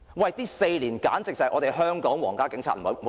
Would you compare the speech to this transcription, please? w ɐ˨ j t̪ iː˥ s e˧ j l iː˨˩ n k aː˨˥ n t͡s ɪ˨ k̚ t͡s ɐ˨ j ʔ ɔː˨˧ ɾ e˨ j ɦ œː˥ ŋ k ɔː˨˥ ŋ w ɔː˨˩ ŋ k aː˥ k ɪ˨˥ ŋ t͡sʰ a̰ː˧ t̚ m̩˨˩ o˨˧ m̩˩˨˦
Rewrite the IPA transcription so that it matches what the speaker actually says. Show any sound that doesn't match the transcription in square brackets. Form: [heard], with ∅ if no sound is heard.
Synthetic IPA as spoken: w ɐ˨ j t̪ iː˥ s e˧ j l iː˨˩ n k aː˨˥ n t͡s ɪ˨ k̚ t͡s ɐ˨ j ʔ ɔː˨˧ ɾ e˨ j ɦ œː˥ ŋ k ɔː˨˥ ŋ w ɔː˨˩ ŋ k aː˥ k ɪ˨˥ ŋ t͡sʰ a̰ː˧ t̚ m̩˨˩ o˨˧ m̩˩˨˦